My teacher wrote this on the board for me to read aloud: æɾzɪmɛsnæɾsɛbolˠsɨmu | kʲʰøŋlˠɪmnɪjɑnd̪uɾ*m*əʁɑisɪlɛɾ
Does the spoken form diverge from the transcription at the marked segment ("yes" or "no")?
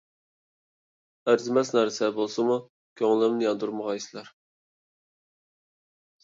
no